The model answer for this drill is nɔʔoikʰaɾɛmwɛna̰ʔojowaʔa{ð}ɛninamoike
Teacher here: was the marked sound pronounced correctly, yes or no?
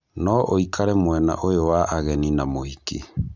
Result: no